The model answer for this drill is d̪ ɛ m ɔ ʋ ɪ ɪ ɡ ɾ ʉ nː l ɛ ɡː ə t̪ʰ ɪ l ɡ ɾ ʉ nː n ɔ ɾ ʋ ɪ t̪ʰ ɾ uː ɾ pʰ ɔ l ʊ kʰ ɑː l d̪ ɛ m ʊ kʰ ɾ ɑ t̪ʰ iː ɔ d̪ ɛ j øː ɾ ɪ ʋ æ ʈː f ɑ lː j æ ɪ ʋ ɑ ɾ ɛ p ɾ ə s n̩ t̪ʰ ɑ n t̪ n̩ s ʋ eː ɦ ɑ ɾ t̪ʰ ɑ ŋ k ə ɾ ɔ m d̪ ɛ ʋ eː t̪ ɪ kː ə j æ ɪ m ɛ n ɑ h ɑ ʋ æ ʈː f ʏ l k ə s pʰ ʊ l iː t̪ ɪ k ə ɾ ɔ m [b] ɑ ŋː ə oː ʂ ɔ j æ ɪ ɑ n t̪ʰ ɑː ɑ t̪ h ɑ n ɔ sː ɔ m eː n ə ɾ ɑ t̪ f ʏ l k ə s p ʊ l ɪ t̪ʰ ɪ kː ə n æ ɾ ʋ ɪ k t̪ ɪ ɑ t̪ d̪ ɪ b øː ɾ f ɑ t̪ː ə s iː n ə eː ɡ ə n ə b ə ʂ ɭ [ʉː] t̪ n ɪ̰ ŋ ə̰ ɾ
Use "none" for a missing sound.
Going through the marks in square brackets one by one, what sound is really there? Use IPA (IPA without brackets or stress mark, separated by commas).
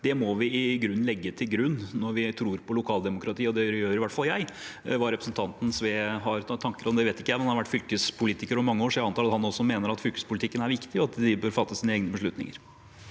m, ʉ